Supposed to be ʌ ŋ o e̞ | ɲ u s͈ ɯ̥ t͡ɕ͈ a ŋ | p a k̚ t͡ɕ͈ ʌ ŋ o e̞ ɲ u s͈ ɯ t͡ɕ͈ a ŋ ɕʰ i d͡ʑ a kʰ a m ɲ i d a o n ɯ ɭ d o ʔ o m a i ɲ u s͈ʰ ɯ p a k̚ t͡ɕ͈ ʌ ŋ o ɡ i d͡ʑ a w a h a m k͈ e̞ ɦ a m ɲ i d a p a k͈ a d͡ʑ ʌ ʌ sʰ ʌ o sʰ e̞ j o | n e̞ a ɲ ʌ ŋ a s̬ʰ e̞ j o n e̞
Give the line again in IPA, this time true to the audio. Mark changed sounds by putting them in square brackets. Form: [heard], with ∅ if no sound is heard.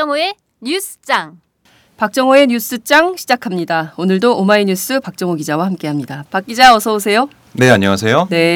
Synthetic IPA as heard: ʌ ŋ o e̞ | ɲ u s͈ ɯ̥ t͡ɕ͈ a ŋ | p a k̚ t͡ɕ͈ ʌ ŋ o e̞ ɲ u s͈ ɯ t͡ɕ͈ a ŋ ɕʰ i d͡ʑ a kʰ a m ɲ i d a o n ɯ ɭ d o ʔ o m a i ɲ u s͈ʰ ɯ p a k̚ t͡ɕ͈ ʌ ŋ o ɡ i d͡ʑ a w a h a m k͈ e̞ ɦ a m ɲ i d a p a k͈ [i] d͡ʑ [a] ʌ sʰ ʌ o sʰ e̞ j o | n e̞ a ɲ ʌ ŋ a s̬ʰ e̞ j o n e̞